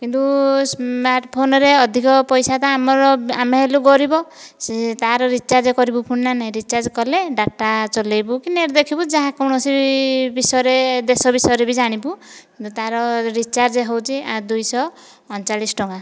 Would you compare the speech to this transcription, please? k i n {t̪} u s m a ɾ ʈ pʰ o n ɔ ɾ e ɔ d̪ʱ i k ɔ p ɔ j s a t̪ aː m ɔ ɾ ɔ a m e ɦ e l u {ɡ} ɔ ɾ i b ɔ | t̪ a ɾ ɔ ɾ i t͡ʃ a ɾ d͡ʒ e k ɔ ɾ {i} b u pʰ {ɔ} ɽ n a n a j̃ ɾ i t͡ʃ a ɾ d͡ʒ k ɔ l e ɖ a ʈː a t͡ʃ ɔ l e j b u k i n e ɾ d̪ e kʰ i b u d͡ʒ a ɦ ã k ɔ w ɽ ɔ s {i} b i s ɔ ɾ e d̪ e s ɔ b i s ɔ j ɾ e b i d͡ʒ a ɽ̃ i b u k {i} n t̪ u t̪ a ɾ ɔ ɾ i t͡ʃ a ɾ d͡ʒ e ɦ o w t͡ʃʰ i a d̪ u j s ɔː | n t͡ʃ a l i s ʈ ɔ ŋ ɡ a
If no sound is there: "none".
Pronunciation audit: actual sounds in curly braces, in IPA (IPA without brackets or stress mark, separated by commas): t̪, ɡ, i, u, i, i